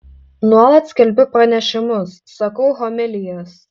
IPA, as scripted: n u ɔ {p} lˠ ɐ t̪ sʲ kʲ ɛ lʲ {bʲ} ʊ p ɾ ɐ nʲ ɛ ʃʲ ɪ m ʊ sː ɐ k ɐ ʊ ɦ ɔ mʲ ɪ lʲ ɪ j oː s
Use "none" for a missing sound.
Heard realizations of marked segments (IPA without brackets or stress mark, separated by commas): none, bʲ